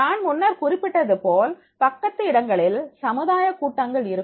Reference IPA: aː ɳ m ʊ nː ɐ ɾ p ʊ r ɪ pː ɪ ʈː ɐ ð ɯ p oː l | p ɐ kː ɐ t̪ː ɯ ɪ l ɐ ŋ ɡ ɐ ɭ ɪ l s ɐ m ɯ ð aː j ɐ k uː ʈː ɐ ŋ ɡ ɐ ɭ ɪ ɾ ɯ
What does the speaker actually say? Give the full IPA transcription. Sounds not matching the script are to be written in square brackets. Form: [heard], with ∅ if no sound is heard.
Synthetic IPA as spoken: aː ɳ m ʊ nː ɐ ɾ [k] ʊ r ɪ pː ɪ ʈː ɐ ð ɯ p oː l | p ɐ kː ɐ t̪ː ɯ ɪ [ɽ] ɐ ŋ ɡ ɐ ɭ ɪ l s ɐ m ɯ ð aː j ɐ k uː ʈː ɐ ŋ ɡ ɐ ɭ ɪ ɾ ɯ

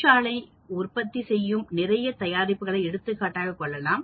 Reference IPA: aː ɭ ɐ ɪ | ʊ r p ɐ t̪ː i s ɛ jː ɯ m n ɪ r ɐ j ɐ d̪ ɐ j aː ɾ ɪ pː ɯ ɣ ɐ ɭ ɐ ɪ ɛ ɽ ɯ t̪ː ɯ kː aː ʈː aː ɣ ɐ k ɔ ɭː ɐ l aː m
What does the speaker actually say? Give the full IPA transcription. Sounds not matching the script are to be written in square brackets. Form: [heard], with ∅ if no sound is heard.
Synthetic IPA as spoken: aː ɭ ɐ ɪ | ʊ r p ɐ t̪ː i s ɛ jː ɯ m n ɪ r ɐ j ɐ [t̪] ɐ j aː ɾ ɪ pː ɯ ɣ ɐ ɭ ɐ ɪ ɛ ɽ ɯ t̪ː ɯ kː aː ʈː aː ɣ ɐ k ɔ ɭː ɐ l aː m

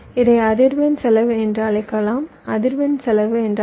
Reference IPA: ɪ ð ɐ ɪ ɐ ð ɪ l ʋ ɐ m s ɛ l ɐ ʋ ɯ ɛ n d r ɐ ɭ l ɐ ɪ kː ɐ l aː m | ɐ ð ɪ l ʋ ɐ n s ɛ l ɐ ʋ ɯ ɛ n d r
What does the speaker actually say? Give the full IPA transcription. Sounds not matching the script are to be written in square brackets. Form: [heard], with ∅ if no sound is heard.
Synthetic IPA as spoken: ɪ ð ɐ ɪ ɐ ð ɪ [ɾ] ʋ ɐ [n] s ɛ l ɐ ʋ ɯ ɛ n d r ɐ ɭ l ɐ ɪ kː ɐ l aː m | ɐ ð ɪ [ɾ] ʋ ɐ n s ɛ l ɐ ʋ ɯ ɛ n d r

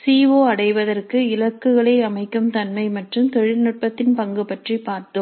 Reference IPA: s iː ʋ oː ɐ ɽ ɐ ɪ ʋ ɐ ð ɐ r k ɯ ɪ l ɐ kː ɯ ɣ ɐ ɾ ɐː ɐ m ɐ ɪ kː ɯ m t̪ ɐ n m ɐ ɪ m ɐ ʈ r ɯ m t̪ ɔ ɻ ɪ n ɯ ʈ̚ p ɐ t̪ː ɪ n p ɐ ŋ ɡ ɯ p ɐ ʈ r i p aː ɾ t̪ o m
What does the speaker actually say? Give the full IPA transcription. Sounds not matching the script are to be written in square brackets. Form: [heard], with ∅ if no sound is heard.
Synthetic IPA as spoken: s iː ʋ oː ɐ ɽ ɐ ɪ ʋ ɐ ð ɐ r k ɯ ɪ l ɐ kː ɯ ɣ ɐ [ɭ] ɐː ɐ m ɐ ɪ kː ɯ m t̪ ɐ n m ɐ ɪ m ɐ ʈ r ɯ m t̪ ɔ ɻ ɪ n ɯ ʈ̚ p ɐ t̪ː ɪ n p ɐ ŋ ɡ ɯ p ɐ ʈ r i p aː ɾ t̪ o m

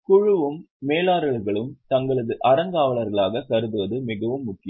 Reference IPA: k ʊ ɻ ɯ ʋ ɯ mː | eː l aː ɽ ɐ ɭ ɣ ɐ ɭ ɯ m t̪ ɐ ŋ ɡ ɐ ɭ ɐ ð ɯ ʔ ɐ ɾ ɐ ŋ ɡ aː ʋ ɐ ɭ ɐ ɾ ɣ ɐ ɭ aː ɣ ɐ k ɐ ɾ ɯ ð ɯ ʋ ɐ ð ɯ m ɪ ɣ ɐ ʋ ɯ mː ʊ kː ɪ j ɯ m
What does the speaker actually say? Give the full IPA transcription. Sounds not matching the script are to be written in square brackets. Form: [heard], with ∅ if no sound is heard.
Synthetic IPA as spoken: k ʊ ɻ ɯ ʋ ɯ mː | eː l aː [ɾ] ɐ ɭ ɣ ɐ ɭ ɯ m t̪ ɐ ŋ ɡ ɐ ɭ ɐ ð ɯ ʔ ɐ ɾ ɐ ŋ ɡ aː ʋ ɐ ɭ ɐ ɾ ɣ ɐ ɭ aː ɣ ɐ k ɐ ɾ ɯ ð ɯ ʋ ɐ ð ɯ m ɪ ɣ ɐ ʋ ɯ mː ʊ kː ɪ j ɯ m

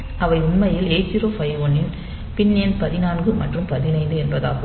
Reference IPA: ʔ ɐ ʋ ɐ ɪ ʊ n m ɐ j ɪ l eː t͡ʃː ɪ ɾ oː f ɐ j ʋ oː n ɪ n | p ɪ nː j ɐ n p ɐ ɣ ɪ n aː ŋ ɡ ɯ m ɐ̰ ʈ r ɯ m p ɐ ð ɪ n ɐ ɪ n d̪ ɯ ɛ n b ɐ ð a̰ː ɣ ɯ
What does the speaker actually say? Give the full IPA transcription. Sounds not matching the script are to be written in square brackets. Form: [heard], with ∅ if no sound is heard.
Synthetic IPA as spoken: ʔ ɐ ʋ ɐ ɪ ʊ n m ɐ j ɪ l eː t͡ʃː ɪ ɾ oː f ɐ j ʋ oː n ɪ n | p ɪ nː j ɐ n p ɐ [ð] ɪ n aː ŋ ɡ ɯ m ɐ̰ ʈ r ɯ m p ɐ ð ɪ n ɐ ɪ n d̪ ɯ ɛ n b ɐ ð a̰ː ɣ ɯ

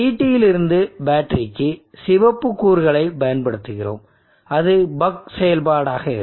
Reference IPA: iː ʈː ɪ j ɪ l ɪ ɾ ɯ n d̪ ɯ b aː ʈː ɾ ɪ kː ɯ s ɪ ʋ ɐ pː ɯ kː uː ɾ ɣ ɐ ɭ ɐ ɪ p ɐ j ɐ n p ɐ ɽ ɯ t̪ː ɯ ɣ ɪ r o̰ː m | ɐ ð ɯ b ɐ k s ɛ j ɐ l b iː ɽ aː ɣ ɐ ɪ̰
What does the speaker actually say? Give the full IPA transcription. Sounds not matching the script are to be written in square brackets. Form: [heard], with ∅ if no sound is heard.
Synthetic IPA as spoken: iː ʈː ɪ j ɪ l ɪ ɾ ɯ n d̪ ɯ b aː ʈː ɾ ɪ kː ɯ s ɪ ʋ ɐ pː ɯ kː uː ɾ ɣ ɐ ɭ ɐ ɪ p ɐ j ɐ n p ɐ ɽ ɯ t̪ː ɯ ɣ ɪ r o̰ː m | ɐ ð ɯ b ɐ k s ɛ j ɐ l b [aː] ɽ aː ɣ ɐ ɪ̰

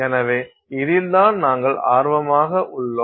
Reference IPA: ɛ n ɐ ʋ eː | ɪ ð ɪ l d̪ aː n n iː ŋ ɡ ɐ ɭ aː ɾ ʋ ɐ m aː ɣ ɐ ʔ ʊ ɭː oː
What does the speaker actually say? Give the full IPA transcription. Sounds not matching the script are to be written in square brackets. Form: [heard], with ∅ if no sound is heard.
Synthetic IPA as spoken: ɛ n ɐ ʋ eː | ɪ ð ɪ l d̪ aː n n [aː] ŋ ɡ ɐ ɭ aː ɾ ʋ ɐ m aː ɣ ɐ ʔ ʊ ɭː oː

